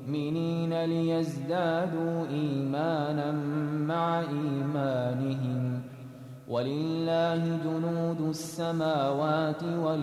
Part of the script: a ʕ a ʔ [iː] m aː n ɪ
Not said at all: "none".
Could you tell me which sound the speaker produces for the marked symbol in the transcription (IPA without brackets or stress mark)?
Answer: iː